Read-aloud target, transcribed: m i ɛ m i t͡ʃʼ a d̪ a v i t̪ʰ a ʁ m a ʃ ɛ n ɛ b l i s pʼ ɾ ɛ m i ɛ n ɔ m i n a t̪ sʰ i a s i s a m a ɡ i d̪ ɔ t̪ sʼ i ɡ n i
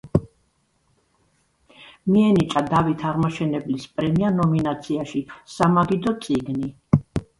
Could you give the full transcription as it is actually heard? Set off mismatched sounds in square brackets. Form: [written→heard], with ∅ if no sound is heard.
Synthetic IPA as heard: m i ɛ [m→n] i t͡ʃʼ a d̪ a v i t̪ʰ a ʁ m a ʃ ɛ n ɛ b l i s pʼ ɾ ɛ m i [ɛ→a] n ɔ m i n a t̪ sʰ i a [s→ʃ] i s a m a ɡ i d̪ ɔ t̪ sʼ i ɡ n i